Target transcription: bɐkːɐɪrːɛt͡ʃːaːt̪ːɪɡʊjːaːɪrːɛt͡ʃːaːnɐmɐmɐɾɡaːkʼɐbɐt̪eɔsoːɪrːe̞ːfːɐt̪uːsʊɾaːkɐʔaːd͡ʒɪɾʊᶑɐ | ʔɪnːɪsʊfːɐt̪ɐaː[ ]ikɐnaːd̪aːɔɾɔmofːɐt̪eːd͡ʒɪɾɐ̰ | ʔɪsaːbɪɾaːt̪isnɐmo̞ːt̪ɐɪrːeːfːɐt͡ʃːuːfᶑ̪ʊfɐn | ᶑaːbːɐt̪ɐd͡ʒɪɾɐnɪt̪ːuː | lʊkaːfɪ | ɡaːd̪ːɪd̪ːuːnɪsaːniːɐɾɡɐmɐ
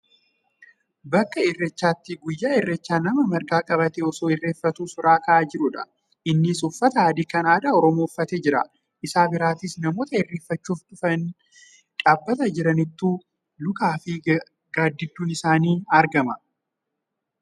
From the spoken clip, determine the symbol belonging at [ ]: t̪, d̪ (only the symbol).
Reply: d̪